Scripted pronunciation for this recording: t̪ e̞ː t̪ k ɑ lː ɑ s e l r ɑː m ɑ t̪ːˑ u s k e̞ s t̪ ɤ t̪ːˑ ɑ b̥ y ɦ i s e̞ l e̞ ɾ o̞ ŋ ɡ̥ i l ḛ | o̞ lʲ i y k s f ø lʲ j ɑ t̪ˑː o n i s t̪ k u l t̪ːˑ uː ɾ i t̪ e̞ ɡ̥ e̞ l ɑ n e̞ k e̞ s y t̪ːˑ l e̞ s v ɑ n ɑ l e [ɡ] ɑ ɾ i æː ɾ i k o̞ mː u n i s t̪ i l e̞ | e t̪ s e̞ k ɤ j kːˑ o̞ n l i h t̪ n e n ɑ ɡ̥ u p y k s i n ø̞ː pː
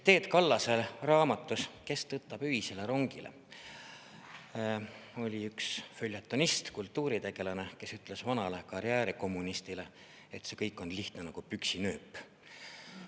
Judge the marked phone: incorrect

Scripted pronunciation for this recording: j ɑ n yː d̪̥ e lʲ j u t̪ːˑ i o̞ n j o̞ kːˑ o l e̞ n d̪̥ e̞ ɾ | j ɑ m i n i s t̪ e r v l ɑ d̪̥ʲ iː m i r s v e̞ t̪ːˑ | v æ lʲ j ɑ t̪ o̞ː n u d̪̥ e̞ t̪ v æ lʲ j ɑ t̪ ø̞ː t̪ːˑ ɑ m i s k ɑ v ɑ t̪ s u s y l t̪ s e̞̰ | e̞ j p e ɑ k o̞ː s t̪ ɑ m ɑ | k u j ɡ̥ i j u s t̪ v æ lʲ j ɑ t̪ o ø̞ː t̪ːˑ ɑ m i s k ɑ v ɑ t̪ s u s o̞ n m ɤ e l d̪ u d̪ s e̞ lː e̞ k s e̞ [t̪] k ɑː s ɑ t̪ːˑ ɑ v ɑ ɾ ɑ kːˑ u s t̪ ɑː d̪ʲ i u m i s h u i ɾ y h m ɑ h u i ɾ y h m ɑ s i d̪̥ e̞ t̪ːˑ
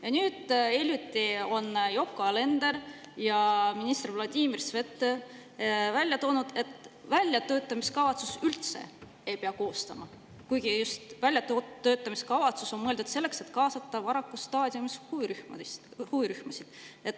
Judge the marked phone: correct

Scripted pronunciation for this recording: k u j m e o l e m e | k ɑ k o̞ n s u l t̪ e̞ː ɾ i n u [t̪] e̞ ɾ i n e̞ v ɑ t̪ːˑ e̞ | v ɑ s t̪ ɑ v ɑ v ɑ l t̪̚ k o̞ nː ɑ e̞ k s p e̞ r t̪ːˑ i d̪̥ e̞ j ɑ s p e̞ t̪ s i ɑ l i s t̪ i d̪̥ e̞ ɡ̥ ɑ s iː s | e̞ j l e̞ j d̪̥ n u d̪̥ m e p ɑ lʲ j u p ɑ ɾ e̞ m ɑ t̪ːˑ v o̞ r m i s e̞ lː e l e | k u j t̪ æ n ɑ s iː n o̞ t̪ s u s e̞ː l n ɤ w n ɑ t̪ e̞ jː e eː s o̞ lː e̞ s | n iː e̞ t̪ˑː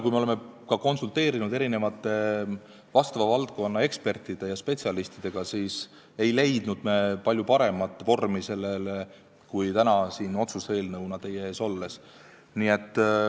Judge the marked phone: incorrect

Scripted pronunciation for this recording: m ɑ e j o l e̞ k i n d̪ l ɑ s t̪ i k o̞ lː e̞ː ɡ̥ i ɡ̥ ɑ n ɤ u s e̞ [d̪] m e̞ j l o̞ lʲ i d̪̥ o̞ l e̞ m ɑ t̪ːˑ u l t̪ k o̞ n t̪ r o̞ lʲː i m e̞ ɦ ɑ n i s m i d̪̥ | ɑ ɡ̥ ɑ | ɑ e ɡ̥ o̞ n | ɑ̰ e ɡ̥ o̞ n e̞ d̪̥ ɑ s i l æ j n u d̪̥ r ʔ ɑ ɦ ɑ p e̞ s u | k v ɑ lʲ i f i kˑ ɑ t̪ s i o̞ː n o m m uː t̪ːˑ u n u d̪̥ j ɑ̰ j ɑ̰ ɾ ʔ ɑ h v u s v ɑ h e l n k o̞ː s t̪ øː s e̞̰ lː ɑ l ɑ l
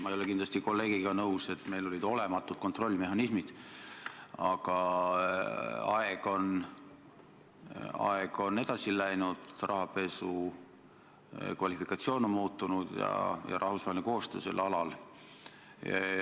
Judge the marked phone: incorrect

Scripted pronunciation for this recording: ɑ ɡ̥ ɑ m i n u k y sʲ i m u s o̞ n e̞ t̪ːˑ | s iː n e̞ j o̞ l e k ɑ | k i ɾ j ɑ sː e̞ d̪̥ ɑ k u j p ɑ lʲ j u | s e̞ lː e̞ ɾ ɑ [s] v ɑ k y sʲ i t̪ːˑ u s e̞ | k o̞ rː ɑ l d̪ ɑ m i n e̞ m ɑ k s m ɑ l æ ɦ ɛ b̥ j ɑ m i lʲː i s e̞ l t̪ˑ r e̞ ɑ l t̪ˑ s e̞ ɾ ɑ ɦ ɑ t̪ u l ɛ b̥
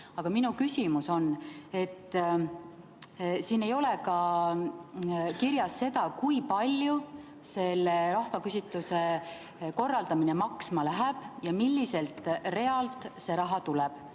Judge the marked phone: incorrect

